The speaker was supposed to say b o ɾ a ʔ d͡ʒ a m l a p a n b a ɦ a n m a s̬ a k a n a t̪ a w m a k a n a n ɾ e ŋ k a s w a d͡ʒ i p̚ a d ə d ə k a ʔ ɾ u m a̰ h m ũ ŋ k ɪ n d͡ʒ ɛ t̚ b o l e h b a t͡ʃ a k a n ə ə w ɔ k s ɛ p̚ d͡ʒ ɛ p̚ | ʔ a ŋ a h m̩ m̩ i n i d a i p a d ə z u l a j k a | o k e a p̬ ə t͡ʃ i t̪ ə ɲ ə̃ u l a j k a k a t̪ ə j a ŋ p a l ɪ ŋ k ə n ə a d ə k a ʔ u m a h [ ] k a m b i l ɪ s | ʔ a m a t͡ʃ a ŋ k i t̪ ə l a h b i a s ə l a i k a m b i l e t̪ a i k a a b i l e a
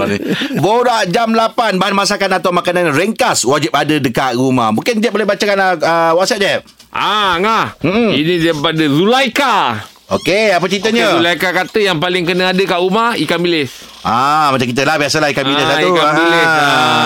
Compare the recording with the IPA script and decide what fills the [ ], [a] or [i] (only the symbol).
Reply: i